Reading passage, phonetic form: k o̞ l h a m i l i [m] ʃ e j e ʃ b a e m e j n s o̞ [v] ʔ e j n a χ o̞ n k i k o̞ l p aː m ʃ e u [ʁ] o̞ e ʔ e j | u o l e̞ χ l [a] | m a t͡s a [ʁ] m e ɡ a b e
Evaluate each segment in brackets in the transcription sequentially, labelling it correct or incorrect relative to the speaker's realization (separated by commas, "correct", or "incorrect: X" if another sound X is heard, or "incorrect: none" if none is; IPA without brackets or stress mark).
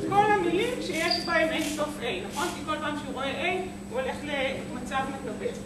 correct, incorrect: f, correct, incorrect: e, incorrect: v